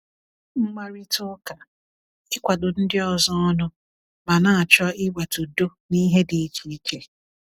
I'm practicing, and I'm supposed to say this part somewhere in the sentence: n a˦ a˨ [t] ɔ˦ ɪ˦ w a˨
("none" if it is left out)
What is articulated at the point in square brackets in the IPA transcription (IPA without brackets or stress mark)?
t͡ʃ